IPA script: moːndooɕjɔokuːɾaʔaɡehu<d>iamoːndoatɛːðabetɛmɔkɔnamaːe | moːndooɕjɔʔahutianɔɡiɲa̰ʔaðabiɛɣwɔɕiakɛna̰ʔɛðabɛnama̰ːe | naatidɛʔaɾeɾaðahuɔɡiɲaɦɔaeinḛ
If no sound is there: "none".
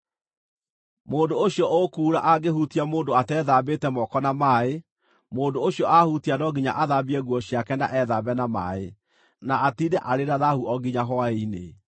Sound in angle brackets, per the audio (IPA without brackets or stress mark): t